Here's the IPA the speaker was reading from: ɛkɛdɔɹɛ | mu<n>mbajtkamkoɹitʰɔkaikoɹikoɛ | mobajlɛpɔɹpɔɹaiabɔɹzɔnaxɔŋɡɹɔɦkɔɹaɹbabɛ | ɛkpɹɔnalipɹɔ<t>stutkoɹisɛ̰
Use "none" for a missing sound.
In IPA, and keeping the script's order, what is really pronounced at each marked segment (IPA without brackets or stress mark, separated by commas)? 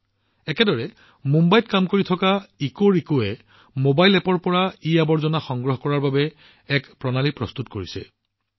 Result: none, none